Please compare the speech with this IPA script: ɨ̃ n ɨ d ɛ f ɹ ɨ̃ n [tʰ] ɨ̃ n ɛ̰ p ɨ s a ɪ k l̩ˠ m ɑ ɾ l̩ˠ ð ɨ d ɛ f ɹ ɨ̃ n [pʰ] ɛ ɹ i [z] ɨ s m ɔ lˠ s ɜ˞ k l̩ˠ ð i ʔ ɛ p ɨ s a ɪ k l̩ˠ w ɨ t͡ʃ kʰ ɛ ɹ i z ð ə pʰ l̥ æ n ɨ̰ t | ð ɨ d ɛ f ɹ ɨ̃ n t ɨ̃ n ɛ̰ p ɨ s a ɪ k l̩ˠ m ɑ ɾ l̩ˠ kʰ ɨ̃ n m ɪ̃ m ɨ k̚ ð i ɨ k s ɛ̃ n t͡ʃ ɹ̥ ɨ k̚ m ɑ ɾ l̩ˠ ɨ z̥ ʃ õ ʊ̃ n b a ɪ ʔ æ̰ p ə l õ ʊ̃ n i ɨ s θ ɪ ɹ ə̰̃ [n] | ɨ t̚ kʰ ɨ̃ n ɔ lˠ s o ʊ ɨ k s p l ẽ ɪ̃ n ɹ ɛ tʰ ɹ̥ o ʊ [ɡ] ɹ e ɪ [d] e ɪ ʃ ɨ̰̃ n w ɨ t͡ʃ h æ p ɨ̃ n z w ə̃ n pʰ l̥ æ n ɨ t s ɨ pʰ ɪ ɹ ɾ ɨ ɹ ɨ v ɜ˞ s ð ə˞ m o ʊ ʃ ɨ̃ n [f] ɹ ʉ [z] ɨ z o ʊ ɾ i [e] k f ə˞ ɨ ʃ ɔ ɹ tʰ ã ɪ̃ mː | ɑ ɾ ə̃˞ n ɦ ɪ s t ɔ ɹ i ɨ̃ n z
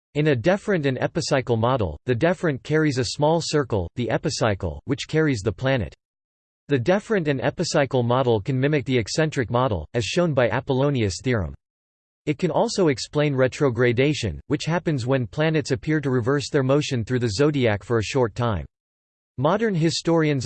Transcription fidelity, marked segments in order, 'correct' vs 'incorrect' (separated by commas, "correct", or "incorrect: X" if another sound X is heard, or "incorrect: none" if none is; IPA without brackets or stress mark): incorrect: t, incorrect: kʰ, correct, incorrect: m, correct, correct, incorrect: θ, incorrect: ð, incorrect: æ